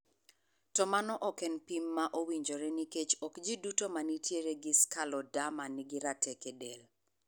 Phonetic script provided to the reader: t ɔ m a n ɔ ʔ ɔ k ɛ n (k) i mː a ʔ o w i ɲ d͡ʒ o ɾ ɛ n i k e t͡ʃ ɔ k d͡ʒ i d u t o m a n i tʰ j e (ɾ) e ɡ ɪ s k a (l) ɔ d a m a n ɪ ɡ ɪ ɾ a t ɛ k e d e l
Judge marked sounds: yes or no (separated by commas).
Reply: no, yes, yes